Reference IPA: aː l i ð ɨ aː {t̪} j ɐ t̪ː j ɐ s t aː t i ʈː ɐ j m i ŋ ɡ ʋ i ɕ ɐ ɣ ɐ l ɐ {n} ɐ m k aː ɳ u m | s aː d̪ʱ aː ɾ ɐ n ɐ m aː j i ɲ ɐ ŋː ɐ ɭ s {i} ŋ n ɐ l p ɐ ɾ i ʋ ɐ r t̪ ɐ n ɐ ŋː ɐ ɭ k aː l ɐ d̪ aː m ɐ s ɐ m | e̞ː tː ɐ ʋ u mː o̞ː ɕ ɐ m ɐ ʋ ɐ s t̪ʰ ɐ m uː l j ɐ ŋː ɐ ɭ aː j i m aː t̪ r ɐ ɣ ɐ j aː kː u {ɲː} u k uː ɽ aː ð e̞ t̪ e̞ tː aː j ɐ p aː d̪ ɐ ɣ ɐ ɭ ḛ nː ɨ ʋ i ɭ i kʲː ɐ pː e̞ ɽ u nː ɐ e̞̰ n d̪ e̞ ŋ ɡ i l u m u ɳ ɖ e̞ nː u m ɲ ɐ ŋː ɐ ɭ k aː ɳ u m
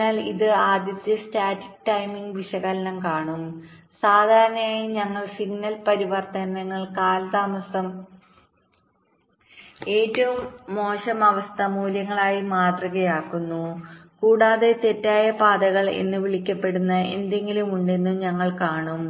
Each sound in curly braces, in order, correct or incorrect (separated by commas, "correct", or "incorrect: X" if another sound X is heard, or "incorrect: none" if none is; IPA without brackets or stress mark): incorrect: d̪, correct, correct, incorrect: nː